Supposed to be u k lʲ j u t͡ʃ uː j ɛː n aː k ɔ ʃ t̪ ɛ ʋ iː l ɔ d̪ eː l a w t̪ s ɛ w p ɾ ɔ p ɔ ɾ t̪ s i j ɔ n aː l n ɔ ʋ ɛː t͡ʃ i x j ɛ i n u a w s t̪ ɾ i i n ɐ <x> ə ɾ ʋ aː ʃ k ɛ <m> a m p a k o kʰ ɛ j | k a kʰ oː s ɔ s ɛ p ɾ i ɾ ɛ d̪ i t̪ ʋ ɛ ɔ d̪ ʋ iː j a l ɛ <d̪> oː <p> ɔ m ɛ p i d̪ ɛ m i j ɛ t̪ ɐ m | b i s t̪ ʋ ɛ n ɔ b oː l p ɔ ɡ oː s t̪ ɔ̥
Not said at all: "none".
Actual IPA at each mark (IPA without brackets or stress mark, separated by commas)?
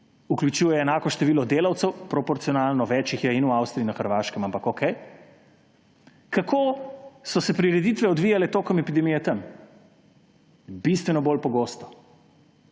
x, m, t̪, k